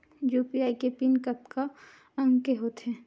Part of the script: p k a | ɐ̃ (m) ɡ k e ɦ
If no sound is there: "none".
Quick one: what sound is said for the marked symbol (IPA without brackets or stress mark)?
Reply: ŋ